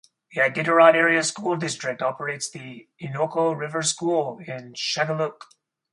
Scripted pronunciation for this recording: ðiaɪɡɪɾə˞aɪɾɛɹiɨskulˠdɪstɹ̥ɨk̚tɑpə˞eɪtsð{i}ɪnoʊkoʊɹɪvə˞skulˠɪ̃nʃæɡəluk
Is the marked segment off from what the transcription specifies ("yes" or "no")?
no